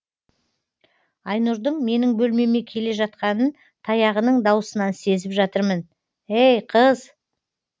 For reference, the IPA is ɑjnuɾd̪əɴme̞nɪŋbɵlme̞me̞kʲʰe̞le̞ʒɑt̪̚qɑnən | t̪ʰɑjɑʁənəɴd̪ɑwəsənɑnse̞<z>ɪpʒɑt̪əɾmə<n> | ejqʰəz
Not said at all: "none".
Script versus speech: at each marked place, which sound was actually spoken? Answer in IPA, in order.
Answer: z, n

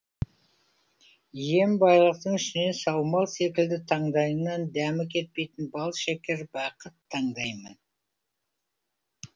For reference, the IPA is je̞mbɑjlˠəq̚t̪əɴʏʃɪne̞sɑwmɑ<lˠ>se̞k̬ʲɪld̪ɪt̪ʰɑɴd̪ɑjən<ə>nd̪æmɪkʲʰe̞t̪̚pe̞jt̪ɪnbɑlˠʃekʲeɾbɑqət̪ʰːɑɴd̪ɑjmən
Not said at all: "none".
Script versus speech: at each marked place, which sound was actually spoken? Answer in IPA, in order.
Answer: lˠ, ɑ

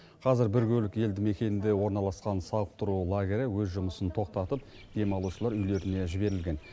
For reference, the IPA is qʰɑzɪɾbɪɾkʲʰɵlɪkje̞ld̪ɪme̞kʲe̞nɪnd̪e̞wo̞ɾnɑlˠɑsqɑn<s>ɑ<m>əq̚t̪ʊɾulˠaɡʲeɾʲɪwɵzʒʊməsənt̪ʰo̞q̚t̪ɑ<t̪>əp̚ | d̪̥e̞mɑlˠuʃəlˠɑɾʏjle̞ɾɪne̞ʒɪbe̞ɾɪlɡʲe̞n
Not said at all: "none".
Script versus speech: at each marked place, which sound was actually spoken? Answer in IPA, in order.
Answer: s, none, t̪

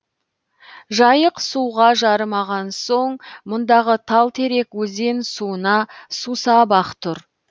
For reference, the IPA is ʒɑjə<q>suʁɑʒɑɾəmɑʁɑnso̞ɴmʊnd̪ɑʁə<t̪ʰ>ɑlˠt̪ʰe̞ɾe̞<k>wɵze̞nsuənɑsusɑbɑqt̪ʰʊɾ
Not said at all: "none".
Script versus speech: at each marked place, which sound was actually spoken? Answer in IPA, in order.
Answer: q, t̪ʰ, k

